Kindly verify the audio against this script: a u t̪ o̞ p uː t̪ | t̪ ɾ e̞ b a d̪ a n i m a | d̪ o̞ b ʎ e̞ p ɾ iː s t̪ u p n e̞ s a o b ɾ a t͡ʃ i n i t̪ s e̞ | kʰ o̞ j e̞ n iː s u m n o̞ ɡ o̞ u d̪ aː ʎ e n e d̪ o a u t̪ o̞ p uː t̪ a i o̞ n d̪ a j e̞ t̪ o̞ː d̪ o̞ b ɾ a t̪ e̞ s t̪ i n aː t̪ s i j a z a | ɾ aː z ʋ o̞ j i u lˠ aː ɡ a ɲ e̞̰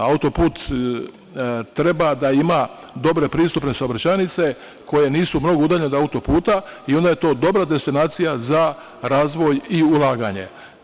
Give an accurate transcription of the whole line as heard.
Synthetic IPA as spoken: a u t̪ o̞ p uː t̪ | t̪ ɾ e̞ b a d̪ a i m a | d̪ o̞ b ɾ e̞ p ɾ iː s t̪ u p n e̞ s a o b ɾ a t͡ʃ a n i t̪ s e̞ | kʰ o̞ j e̞ n iː s u m n o̞ ɡ o̞ u d̪ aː ʎ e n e d̪ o a u t̪ o̞ p uː t̪ a i o̞ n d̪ a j e̞ t̪ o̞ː d̪ o̞ b ɾ a d̪ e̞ s t̪ i n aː t̪ s i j a z a | ɾ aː z ʋ o̞ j i u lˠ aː ɡ a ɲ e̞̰